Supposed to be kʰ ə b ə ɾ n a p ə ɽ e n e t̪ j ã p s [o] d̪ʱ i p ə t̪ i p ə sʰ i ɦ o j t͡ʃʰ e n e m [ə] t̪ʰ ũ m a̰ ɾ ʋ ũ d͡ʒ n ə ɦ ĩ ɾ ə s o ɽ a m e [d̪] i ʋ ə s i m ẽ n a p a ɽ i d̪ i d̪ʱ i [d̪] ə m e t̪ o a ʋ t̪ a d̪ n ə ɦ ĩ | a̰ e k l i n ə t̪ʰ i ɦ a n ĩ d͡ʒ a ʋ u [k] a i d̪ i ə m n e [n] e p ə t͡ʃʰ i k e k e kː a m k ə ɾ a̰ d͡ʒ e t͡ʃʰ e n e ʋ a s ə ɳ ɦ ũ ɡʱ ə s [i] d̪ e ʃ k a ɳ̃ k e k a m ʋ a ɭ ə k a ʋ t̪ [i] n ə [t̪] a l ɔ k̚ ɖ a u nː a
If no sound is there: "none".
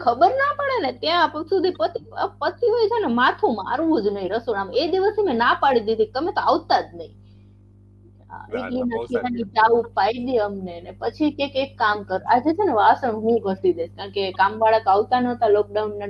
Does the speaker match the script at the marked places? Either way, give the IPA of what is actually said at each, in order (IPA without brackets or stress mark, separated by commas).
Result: u, a, d̪, t̪, p, n, i, a, t̪